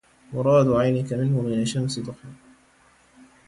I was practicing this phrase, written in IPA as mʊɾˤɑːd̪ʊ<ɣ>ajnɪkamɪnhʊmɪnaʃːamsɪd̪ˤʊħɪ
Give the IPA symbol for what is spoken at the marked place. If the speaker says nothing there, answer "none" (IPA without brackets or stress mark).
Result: ʕ